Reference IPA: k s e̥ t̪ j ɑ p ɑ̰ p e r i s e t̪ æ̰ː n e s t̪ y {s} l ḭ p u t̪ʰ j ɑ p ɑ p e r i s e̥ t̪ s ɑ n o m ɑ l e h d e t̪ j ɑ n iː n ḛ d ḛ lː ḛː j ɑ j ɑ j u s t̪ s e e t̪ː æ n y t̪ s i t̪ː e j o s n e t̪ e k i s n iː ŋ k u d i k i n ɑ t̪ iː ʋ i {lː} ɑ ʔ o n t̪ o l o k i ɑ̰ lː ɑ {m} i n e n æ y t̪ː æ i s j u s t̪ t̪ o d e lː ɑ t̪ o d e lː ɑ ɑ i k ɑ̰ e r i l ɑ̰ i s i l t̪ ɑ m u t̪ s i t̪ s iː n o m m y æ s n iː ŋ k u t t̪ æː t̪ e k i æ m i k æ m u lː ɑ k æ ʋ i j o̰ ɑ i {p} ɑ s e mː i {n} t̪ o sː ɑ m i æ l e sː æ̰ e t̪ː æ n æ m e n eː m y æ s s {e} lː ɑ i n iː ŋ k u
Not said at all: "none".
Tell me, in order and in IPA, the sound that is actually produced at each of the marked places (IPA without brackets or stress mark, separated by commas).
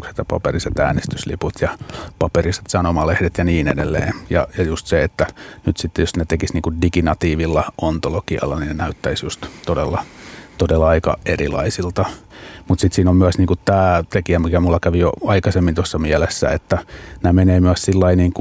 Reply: s, lː, n, k, n, i